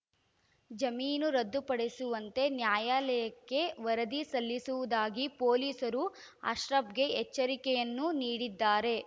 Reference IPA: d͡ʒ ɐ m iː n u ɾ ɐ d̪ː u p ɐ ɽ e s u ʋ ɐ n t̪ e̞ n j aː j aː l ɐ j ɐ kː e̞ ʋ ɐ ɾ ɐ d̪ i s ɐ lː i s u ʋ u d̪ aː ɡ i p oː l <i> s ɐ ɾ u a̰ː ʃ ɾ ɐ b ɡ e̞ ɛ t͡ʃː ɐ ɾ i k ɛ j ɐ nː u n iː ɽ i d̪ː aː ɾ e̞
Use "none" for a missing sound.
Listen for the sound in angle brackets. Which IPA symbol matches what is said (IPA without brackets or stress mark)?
iː